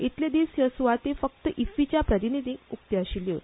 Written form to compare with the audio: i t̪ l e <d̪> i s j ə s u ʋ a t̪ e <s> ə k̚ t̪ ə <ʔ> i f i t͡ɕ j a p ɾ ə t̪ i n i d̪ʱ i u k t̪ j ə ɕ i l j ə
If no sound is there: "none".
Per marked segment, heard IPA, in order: d̪, f, ʔ

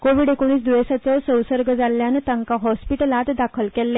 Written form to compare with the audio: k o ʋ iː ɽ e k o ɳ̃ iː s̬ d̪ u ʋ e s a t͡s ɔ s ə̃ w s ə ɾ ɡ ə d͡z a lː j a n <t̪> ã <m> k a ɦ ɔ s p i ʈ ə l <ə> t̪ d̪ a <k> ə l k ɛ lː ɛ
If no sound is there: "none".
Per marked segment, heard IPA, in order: t̪, ŋ, a, kʰ

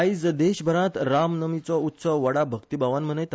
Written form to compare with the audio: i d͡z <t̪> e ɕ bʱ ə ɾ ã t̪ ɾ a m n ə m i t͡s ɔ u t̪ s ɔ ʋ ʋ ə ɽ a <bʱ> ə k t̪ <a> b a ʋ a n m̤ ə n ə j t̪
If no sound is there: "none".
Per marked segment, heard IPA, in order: d̪, bʱ, i

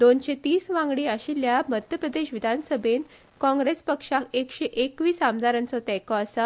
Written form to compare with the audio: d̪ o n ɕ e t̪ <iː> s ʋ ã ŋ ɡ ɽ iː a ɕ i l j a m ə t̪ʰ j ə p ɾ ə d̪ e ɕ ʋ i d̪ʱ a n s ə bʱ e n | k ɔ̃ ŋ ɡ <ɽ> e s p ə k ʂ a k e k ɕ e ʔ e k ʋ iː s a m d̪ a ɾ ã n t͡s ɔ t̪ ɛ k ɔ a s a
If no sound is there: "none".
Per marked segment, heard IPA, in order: iː, ɾ

